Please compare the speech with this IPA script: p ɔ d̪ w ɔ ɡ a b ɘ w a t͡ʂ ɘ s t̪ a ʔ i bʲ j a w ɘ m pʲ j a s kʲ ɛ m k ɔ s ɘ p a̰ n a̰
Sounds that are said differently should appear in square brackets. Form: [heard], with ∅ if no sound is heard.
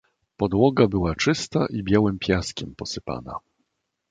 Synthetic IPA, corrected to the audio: p ɔ d̪ w ɔ ɡ a b ɘ w a t͡ʂ ɘ s t̪ a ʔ i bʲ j a w ɘ m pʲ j a s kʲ ɛ m [p] ɔ s ɘ p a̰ n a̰